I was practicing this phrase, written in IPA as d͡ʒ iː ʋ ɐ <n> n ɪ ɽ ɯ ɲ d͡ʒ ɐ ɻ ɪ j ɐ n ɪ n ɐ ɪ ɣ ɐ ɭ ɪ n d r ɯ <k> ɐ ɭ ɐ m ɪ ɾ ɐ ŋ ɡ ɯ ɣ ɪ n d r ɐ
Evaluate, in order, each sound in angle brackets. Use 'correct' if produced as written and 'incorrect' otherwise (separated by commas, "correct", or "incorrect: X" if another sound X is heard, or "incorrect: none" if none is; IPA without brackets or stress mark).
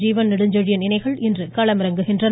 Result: correct, correct